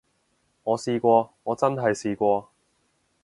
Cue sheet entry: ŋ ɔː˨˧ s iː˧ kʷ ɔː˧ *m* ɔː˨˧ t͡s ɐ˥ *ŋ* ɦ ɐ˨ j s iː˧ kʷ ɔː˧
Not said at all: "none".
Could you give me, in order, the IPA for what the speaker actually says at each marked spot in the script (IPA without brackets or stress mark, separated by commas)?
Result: ŋ, n